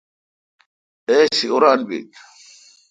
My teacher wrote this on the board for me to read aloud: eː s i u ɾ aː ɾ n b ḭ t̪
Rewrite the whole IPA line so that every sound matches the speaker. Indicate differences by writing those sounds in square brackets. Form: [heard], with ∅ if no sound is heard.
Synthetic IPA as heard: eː s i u ɾ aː [∅] n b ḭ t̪